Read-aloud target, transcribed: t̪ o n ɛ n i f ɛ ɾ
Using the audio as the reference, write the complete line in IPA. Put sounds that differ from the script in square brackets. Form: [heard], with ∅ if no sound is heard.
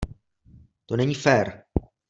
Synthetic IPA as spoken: t̪ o n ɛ [ɲ] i f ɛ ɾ